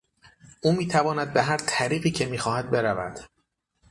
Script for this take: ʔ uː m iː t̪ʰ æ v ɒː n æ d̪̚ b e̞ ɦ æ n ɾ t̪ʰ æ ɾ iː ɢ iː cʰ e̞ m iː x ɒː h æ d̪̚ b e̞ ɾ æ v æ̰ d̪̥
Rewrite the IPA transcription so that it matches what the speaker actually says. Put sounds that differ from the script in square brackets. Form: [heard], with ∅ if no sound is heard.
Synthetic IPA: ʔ uː m iː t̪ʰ æ v ɒː n æ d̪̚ b e̞ ɦ æ [∅] ɾ t̪ʰ æ ɾ iː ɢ iː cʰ e̞ m iː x ɒː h æ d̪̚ b e̞ ɾ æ v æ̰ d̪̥